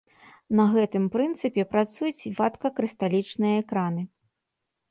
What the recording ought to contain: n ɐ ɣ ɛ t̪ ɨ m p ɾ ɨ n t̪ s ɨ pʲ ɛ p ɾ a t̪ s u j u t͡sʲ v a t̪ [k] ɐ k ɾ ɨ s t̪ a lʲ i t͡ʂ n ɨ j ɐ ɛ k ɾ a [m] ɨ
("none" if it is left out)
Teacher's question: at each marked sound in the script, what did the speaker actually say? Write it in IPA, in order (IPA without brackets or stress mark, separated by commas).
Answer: k, n